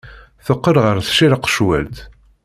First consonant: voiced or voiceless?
voiceless